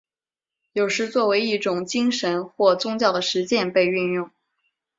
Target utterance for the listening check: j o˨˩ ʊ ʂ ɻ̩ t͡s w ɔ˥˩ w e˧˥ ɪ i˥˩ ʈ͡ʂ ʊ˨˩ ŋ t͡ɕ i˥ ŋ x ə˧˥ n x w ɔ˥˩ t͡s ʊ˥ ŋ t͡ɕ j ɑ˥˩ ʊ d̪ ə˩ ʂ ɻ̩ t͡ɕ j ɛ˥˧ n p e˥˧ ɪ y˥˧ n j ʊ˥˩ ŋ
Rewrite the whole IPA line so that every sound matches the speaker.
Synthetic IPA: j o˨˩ ʊ ʂ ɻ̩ t͡s w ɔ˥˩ w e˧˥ ɪ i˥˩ ʈ͡ʂ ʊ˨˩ ŋ t͡ɕ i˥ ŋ ʂ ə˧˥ n x w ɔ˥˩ t͡s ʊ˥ ŋ t͡ɕ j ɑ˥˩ ʊ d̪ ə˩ ʂ ɻ̩ t͡ɕ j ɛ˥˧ n p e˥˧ ɪ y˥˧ n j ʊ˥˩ ŋ